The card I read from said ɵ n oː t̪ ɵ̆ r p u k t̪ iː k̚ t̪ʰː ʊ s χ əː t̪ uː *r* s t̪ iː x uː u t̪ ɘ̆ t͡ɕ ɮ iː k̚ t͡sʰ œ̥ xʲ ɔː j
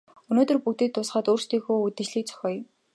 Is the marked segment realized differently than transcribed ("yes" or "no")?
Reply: no